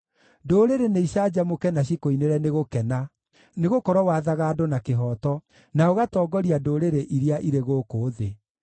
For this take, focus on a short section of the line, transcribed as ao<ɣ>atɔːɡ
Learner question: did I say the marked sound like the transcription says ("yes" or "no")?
yes